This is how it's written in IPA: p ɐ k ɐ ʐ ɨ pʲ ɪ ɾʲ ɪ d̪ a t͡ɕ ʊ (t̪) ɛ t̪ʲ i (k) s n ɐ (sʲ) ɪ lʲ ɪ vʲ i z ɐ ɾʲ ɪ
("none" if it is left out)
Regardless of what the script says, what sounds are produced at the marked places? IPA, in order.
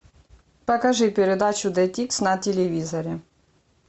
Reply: d̪, k, tʲ

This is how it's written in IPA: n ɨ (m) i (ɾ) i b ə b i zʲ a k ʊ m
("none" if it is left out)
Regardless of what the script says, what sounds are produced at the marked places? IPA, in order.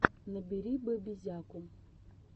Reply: b, ɾ

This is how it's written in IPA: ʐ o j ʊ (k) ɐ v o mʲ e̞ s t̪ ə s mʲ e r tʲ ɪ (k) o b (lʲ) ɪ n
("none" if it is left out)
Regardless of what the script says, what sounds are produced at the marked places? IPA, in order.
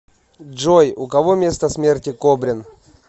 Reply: k, k, ɾʲ

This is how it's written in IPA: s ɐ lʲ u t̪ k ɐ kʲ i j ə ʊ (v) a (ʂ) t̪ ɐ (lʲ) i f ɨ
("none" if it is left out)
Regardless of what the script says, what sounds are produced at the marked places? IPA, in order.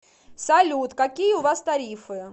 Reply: v, s, ɾʲ

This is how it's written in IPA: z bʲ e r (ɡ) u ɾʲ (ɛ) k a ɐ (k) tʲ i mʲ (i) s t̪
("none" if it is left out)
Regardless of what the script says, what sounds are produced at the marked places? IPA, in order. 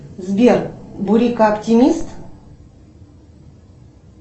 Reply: b, i, p, i

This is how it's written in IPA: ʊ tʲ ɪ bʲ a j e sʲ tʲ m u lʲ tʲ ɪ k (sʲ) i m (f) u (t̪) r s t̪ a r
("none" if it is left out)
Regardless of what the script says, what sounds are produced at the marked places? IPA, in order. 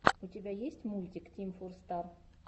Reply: tʲ, f, none

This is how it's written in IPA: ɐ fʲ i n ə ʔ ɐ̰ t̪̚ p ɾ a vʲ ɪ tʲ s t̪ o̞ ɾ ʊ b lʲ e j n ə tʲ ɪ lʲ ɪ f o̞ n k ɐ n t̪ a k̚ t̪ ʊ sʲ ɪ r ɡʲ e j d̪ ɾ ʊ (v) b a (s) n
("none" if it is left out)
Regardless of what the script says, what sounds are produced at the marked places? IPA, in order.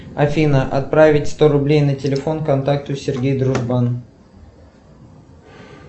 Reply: ʐ, none

